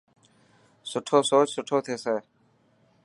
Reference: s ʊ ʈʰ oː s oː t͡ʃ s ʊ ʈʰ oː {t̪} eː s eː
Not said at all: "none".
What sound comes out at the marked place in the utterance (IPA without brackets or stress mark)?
t̪ʰ